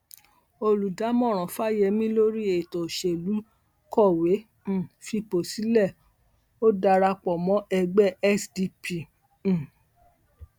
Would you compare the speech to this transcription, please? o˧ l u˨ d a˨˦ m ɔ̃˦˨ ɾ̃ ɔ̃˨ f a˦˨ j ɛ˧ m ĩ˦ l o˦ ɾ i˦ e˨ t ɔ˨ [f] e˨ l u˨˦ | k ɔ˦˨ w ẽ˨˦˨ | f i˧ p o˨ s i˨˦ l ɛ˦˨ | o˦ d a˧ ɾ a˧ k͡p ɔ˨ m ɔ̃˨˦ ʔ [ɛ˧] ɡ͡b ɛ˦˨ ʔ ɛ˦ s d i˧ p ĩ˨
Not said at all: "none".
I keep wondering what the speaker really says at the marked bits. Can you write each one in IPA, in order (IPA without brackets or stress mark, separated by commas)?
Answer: ʃ, ɛ˧